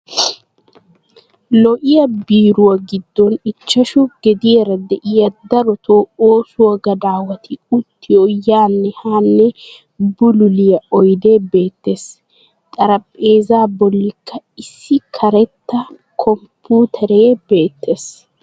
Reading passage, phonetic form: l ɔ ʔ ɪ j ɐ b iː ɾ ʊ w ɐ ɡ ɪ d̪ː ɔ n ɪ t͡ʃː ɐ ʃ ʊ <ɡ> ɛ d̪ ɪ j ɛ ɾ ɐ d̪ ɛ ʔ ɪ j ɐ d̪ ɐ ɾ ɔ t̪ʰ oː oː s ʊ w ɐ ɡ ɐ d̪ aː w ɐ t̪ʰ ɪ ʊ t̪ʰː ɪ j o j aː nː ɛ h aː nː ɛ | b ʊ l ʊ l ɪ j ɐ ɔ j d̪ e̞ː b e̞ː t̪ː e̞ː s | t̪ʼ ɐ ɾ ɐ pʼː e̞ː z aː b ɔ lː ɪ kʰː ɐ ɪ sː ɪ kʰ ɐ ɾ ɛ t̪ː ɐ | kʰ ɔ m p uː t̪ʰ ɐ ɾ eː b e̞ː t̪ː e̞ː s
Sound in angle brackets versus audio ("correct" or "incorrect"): correct